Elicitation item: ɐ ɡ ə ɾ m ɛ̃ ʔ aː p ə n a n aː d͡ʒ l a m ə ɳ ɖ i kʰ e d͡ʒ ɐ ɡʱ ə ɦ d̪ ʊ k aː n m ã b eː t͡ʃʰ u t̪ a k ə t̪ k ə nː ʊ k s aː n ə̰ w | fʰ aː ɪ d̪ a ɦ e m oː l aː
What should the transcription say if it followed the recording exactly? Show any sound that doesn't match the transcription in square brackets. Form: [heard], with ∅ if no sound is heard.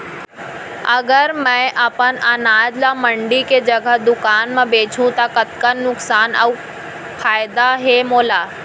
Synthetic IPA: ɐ ɡ ə ɾ m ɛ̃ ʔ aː p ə n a n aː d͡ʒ l a m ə ɳ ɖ i [k] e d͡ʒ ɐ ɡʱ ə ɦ d̪ ʊ k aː n m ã b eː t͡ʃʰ [ũ] t̪ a k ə t̪ k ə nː ʊ k s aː n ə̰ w | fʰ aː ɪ d̪ a ɦ e m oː l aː